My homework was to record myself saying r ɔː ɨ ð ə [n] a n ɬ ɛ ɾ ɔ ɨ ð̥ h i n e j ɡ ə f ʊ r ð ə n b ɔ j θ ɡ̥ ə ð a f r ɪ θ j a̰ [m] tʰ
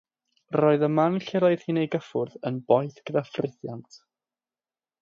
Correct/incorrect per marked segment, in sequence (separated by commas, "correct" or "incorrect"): incorrect, incorrect